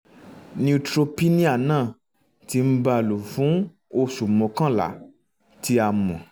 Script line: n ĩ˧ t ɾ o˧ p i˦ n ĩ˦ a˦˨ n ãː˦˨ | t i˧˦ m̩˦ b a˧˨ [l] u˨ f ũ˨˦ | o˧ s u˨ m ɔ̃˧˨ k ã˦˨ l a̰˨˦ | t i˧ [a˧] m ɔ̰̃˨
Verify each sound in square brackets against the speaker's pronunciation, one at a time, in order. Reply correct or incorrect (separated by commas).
correct, correct